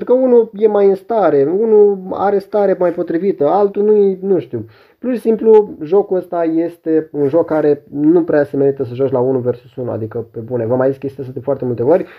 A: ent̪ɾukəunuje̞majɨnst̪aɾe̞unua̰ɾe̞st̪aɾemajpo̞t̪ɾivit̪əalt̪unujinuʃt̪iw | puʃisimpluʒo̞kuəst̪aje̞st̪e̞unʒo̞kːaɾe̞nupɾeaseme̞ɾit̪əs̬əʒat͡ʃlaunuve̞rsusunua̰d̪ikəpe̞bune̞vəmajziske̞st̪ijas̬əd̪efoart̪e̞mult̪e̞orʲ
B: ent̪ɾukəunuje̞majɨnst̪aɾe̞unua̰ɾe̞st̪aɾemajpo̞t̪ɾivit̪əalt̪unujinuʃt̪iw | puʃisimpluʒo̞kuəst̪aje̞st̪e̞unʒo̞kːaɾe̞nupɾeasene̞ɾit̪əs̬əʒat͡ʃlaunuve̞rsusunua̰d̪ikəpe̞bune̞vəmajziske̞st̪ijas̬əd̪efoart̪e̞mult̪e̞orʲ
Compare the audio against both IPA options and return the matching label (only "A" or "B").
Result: A